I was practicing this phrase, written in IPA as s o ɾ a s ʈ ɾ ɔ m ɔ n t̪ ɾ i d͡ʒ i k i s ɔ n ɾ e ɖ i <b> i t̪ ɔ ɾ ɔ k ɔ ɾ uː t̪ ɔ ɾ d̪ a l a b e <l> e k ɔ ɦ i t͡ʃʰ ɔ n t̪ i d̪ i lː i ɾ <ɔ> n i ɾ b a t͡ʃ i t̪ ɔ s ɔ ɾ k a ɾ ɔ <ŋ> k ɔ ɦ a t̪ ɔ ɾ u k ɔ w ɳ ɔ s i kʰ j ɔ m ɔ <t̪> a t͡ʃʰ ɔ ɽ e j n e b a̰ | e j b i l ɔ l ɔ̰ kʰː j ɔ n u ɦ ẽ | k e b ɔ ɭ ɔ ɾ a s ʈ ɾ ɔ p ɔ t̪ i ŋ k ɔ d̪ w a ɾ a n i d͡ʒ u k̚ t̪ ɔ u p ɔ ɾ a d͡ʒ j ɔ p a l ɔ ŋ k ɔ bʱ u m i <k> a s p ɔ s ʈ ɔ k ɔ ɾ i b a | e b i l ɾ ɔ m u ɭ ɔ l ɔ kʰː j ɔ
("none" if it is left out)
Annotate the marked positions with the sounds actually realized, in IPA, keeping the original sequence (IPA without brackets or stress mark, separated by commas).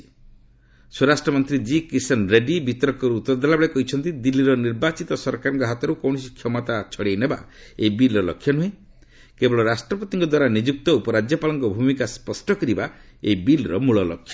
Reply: b, ɭ, ɔ, ŋ, t̪, k